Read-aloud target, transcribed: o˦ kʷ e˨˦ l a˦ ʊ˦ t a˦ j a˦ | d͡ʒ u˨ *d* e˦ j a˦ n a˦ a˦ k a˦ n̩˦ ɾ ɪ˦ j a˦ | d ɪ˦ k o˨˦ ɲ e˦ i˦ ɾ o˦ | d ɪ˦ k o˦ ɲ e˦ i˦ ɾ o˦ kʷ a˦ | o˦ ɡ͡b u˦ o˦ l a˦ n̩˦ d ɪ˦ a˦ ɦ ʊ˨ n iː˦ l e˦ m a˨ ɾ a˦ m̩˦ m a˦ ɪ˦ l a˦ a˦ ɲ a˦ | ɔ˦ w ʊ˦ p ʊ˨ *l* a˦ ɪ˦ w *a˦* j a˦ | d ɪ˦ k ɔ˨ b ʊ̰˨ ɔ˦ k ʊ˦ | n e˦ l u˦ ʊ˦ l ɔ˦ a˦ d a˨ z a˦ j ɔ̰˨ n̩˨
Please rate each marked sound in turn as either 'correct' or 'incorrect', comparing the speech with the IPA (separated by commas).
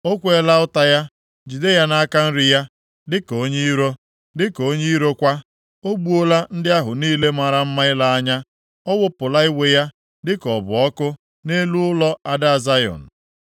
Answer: correct, correct, incorrect